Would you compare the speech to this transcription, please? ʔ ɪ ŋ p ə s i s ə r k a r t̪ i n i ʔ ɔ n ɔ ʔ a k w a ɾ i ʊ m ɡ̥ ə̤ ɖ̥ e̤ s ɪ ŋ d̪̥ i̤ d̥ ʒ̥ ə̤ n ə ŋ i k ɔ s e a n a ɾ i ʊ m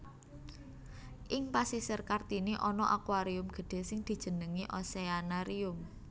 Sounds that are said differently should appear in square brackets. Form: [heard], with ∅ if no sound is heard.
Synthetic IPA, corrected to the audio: ʔ ɪ ŋ p [a] s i s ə r k a r t̪ i n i ʔ ɔ n ɔ ʔ a k w a ɾ i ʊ m ɡ̥ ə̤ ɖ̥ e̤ s ɪ ŋ d̪̥ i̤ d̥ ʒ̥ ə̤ n ə ŋ i [ʔ] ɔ s e a n a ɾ i ʊ m